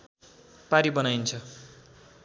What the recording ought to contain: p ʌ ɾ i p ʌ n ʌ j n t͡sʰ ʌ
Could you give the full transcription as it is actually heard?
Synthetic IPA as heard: p a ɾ i b ʌ n a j n t͡sʰ ʌ